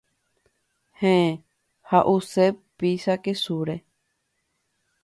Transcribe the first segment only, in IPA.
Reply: h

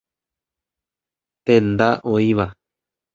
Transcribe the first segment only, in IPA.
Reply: t̪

